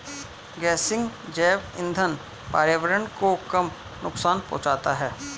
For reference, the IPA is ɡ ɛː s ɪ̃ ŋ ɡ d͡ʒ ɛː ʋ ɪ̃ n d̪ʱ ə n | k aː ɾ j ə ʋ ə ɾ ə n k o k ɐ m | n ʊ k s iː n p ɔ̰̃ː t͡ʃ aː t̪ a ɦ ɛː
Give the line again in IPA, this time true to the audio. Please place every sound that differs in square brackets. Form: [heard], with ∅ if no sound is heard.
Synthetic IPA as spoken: ɡ ɛː s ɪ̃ ŋ ɡ d͡ʒ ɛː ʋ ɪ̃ n d̪ʱ ə n | [p] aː ɾ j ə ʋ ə ɾ ə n k o k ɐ m | n ʊ k s [aː] n p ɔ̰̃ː t͡ʃ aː t̪ a ɦ ɛː